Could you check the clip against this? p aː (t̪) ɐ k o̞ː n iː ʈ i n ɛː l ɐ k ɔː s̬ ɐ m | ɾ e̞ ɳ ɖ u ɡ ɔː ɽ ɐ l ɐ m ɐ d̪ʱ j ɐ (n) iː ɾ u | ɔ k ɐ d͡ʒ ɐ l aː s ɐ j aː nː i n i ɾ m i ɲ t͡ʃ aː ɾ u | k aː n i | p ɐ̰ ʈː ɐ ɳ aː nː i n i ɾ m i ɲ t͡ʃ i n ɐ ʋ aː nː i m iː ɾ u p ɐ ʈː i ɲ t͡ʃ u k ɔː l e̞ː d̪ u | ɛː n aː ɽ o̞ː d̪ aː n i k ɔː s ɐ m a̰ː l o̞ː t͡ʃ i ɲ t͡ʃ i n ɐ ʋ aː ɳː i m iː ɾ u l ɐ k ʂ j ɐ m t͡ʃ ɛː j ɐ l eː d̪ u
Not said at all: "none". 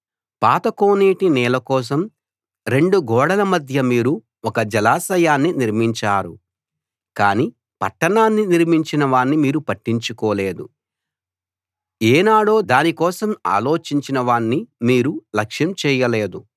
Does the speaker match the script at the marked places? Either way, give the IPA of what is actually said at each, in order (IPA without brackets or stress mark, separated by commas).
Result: t̪, m